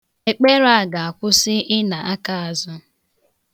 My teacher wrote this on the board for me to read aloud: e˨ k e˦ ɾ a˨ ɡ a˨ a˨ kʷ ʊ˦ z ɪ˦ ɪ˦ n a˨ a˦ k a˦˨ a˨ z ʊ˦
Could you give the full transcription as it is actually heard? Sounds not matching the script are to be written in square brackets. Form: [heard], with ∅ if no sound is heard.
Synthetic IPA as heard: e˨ [k͡p] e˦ ɾ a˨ ɡ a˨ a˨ kʷ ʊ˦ [s] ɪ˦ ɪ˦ n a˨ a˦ k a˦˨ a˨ z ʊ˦